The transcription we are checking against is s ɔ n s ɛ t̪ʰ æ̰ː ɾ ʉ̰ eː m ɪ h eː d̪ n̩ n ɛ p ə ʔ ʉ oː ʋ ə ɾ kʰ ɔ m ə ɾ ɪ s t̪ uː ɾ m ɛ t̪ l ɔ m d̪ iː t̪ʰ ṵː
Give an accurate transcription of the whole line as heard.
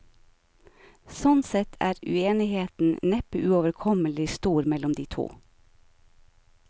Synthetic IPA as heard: s ɔ n s ɛ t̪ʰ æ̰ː ɾ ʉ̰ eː n ɪ h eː t̪ n̩ n ɛ p ə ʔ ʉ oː ʋ ə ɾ kʰ ɔ m ə l ɪ s t̪ uː ɾ m ɛ l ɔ m d̪ iː t̪ʰ ṵː